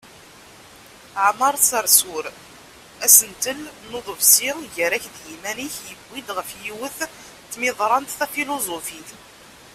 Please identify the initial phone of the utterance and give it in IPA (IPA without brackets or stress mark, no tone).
ʕ